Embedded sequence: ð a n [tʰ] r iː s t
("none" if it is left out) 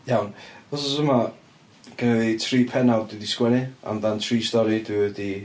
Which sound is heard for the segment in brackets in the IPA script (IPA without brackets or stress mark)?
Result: tʰ